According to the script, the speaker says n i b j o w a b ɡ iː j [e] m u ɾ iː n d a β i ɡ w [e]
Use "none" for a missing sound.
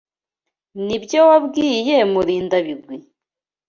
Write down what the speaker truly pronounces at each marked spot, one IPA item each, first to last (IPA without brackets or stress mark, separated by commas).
e, i